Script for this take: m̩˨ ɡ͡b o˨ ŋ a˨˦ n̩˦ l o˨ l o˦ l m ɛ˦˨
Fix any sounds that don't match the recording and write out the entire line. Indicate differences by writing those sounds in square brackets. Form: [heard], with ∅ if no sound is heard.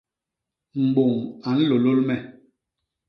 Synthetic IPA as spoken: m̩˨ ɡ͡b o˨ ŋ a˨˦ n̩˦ l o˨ l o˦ l m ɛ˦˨